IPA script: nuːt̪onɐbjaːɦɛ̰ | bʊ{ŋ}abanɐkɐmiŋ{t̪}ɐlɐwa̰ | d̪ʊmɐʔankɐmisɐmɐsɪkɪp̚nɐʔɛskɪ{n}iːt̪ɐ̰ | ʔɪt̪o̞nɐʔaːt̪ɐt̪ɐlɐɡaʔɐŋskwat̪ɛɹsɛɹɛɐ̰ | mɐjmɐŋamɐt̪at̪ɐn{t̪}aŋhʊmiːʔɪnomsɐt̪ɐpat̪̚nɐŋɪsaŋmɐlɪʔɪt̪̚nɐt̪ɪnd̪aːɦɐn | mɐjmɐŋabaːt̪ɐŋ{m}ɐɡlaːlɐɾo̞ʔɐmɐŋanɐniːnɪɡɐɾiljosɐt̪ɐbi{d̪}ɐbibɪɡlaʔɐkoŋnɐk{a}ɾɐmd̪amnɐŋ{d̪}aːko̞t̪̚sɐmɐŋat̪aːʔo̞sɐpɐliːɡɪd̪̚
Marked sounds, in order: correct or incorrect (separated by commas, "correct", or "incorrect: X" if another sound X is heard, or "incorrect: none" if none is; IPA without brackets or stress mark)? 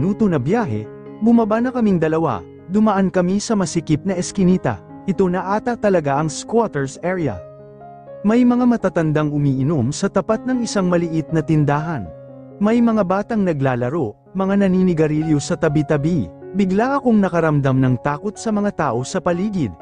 incorrect: m, incorrect: d̪, correct, incorrect: d̪, incorrect: n, incorrect: t̪, incorrect: ɐ, incorrect: t̪